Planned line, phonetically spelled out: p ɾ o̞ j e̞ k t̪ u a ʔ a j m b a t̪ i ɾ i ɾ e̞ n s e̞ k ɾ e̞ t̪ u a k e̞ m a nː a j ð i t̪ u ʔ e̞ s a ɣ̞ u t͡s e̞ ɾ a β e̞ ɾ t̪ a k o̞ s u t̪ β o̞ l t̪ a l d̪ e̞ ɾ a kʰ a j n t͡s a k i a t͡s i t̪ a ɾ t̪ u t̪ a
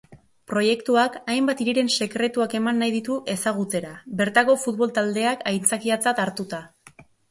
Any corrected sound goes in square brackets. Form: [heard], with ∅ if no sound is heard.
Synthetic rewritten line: p ɾ o̞ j e̞ k t̪ u a [k] a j m b a t̪ i ɾ i ɾ e̞ n s e̞ k ɾ e̞ t̪ u a k e̞ m a nː a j ð i t̪ u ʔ e̞ s a ɣ̞ u t͡s e̞ ɾ a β e̞ ɾ t̪ a k o̞ [f] u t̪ β o̞ l t̪ a l d̪ e̞ [∅] a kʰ a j n t͡s a k i a t͡s [a] t̪ a ɾ t̪ u t̪ a